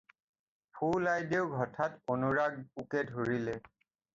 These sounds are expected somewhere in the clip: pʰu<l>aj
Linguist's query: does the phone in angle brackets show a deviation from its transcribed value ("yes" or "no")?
no